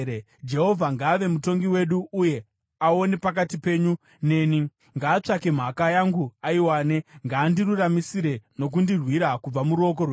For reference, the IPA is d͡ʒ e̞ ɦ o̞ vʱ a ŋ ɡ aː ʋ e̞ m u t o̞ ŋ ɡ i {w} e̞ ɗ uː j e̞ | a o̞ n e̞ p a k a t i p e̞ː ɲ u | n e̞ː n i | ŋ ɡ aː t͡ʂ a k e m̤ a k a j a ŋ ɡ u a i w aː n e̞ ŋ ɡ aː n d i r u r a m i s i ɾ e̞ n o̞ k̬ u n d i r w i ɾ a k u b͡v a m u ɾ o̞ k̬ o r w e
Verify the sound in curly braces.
correct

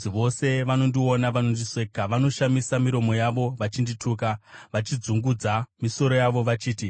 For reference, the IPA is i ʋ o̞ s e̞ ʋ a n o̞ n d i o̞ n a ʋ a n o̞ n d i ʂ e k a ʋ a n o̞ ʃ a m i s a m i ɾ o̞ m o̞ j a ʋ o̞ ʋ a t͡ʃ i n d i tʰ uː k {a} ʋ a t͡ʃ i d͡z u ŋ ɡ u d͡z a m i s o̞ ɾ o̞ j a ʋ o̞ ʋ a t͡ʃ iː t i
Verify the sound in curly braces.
correct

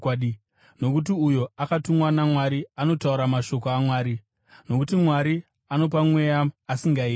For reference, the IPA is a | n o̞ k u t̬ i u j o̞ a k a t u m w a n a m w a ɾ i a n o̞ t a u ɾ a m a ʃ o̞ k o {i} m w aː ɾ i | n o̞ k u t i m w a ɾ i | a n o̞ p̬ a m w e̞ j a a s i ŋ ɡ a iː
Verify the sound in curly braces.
incorrect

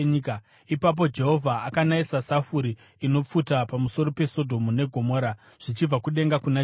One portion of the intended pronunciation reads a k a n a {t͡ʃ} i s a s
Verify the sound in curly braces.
incorrect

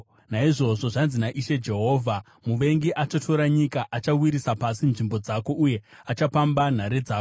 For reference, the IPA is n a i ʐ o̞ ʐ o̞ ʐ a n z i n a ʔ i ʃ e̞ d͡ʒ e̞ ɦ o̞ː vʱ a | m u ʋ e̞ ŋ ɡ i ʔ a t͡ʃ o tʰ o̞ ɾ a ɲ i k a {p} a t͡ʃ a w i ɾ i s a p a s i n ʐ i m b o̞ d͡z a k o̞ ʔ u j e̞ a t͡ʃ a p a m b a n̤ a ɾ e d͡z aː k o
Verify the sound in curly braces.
incorrect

